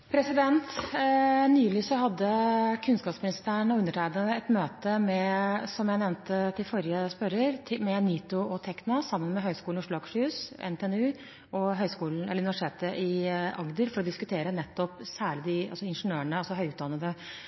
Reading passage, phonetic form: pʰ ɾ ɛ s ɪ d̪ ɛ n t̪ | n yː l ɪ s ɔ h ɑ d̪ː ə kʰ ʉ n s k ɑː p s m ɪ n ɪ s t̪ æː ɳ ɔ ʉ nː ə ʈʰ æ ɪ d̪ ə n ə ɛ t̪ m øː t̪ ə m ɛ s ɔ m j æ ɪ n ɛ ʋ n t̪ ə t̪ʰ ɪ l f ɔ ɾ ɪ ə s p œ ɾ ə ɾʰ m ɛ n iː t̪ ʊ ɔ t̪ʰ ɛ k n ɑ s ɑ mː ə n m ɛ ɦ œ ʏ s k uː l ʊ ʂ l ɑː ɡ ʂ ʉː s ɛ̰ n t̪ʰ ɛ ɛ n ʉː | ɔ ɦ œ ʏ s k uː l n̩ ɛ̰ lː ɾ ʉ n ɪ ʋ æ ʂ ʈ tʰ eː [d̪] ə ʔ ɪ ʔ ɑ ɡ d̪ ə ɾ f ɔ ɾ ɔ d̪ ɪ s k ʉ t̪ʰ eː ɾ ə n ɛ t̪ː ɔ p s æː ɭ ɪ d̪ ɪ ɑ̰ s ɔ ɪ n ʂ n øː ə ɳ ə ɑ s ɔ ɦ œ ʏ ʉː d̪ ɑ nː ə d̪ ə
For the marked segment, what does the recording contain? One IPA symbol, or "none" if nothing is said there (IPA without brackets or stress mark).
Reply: t̪